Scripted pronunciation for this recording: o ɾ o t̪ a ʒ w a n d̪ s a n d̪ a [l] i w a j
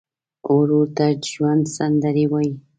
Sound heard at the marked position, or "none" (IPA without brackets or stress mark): ɾ